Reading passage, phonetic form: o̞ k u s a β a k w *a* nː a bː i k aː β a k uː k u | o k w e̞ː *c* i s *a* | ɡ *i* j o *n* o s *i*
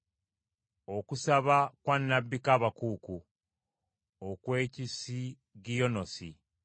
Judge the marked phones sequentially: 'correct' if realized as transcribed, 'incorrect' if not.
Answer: correct, correct, incorrect: i, correct, correct, correct

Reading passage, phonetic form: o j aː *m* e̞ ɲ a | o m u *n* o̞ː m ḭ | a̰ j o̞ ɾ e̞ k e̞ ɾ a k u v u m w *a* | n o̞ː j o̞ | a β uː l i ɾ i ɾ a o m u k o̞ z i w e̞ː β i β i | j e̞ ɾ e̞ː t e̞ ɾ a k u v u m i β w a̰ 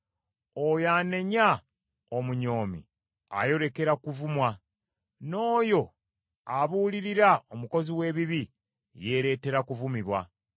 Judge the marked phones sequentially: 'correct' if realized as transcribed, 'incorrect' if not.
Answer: incorrect: n, incorrect: ɲ, correct

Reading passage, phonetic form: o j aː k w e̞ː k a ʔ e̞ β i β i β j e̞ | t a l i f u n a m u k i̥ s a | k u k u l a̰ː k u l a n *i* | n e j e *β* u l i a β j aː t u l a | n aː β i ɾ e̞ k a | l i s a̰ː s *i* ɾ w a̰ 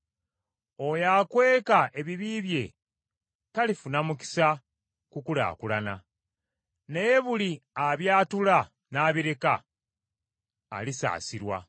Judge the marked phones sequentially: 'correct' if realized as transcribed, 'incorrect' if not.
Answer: incorrect: a, correct, correct

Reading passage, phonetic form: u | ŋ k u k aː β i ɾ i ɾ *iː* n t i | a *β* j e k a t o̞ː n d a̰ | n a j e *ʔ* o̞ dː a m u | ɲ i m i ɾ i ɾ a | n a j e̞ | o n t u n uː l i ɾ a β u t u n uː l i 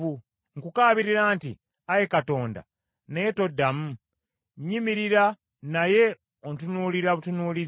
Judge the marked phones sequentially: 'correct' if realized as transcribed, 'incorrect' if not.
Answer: incorrect: aː, incorrect: none, incorrect: t

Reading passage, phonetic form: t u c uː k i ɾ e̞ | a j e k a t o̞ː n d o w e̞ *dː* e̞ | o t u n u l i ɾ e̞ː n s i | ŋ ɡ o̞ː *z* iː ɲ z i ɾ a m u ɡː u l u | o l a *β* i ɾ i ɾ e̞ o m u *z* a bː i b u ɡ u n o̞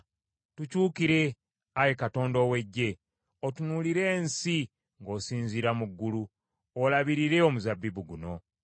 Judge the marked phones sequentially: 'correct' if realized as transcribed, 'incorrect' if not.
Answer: incorrect: ɟː, incorrect: s, correct, correct

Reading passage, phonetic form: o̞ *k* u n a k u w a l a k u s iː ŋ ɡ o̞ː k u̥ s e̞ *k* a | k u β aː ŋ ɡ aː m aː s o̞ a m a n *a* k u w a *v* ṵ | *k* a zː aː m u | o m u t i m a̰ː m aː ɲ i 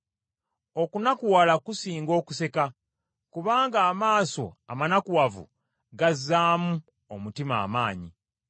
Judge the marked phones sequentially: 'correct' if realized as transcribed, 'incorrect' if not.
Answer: correct, correct, correct, correct, incorrect: ɡ

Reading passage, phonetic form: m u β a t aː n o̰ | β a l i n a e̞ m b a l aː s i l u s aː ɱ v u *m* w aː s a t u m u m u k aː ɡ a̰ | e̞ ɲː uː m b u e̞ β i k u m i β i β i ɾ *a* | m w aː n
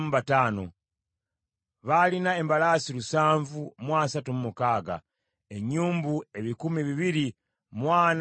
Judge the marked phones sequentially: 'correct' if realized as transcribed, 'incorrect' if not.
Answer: correct, incorrect: i

